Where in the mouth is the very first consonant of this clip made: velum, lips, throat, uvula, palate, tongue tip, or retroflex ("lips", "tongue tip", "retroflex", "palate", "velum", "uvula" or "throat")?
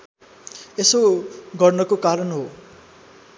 tongue tip